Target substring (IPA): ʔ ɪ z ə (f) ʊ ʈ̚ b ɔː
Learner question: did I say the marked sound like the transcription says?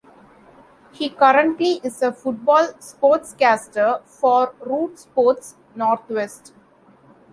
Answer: yes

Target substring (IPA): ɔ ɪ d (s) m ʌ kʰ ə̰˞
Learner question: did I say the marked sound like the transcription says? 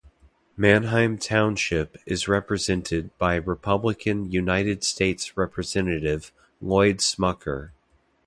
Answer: yes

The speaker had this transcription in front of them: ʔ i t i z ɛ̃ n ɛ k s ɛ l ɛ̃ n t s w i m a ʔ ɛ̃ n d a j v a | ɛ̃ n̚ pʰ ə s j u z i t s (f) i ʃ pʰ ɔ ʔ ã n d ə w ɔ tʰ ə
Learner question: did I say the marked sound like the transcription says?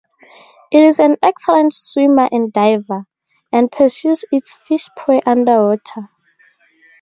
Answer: yes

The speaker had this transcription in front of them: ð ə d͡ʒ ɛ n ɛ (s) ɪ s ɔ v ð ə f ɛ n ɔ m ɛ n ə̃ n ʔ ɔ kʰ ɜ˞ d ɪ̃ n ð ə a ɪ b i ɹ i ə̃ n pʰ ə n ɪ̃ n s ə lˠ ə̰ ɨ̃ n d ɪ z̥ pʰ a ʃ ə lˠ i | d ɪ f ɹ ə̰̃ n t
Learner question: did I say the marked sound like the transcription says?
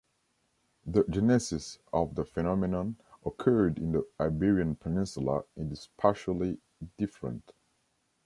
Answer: yes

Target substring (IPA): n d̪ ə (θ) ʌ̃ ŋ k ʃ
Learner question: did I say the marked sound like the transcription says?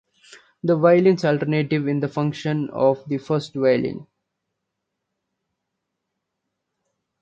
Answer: no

